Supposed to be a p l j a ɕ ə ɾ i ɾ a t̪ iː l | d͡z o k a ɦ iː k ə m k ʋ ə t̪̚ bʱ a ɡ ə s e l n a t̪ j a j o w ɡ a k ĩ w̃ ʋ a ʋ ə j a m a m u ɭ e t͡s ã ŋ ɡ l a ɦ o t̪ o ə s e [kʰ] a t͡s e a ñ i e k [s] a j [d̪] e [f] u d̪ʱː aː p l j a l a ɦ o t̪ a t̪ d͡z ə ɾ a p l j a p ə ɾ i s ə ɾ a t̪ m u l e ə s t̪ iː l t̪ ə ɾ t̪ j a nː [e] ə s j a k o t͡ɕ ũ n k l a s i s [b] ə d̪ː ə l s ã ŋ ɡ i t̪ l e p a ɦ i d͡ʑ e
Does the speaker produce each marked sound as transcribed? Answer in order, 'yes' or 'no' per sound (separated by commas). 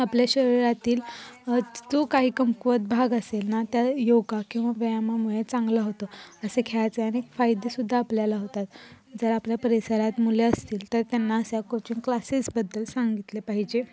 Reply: yes, no, yes, no, no, yes